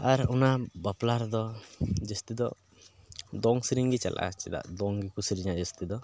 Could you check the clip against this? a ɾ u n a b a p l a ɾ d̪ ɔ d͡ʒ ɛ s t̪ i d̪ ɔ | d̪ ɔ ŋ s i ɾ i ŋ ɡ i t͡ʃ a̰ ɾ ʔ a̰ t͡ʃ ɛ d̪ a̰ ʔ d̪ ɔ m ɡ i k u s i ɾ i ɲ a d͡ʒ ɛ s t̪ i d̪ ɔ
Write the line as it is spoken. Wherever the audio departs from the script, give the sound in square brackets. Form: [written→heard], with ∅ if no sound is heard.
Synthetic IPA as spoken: a ɾ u n a b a p l a ɾ d̪ ɔ d͡ʒ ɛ s t̪ i d̪ ɔ | d̪ ɔ ŋ s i ɾ i ŋ ɡ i t͡ʃ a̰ [ɾ→l] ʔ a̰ t͡ʃ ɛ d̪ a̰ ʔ d̪ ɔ [m→ŋ] ɡ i k u s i ɾ i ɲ a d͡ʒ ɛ s t̪ i d̪ ɔ